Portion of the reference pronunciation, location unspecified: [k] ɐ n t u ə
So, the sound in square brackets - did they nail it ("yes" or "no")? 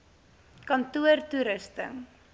yes